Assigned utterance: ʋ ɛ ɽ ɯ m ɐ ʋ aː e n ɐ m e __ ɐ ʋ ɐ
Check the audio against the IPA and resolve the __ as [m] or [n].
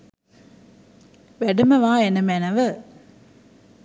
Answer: n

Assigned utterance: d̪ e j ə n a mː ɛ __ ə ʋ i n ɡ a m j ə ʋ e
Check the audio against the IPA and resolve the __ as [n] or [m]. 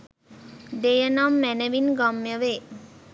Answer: n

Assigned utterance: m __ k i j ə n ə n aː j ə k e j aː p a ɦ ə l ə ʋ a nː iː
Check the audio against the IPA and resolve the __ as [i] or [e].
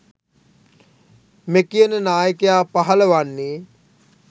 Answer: e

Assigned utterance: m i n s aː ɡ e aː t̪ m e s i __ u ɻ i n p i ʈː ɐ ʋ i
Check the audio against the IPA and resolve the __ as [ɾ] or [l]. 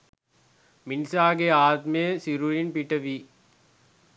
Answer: ɾ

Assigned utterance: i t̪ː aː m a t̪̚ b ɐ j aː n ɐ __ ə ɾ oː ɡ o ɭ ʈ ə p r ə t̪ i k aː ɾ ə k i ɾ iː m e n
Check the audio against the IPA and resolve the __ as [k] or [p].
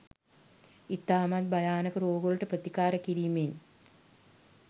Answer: k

